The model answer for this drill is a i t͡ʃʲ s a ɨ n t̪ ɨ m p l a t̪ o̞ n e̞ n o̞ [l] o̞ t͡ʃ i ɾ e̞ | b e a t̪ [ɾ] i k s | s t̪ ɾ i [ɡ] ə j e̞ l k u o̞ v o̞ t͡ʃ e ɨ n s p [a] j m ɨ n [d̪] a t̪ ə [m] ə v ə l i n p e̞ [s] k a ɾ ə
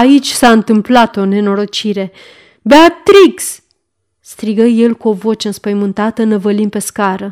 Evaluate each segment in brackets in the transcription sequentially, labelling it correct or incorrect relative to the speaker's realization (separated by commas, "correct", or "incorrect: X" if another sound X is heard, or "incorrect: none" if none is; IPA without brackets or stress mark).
incorrect: ɾ, correct, correct, incorrect: ə, incorrect: t̪, incorrect: n, correct